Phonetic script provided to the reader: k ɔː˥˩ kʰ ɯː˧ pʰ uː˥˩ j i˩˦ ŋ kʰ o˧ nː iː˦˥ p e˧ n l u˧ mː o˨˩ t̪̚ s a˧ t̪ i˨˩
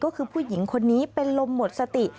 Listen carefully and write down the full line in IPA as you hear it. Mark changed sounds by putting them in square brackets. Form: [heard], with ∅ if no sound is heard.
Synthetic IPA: k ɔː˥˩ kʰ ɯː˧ pʰ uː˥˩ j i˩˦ ŋ kʰ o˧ nː iː˦˥ p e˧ n l [o˧] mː o˨˩ t̪̚ s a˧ t̪ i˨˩